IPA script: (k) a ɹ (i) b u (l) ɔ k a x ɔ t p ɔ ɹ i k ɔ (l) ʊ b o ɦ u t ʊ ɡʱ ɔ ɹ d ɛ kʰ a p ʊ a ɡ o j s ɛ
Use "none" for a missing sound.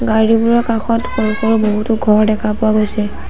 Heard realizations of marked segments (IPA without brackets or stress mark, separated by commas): ɡ, i, ɹ, ɹ